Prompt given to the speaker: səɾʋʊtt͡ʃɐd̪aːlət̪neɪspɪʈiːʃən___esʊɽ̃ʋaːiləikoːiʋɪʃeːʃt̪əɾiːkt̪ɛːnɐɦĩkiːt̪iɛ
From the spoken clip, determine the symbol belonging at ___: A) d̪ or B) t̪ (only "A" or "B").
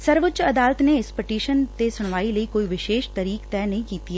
B